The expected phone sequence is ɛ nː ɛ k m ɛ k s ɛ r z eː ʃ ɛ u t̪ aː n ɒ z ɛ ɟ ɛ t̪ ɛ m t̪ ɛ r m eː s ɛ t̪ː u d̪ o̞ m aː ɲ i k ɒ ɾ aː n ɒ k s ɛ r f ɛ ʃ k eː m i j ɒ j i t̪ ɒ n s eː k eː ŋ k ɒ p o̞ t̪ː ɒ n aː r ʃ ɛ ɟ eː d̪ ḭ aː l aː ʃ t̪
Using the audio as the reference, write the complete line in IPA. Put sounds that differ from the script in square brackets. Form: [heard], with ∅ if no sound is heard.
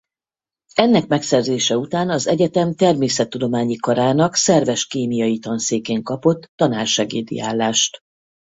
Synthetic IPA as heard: ɛ nː ɛ k m ɛ k s ɛ r z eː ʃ ɛ u t̪ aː n ɒ z ɛ ɟ ɛ t̪ ɛ m t̪ ɛ r m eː s ɛ t̪ː u d̪ o̞ m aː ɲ i k ɒ ɾ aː n ɒ k s ɛ r [v] ɛ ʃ k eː m i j ɒ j i t̪ ɒ n s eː k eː ŋ k ɒ p o̞ t̪ː ɒ n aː r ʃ ɛ [ɡ] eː d̪ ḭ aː [lː] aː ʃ t̪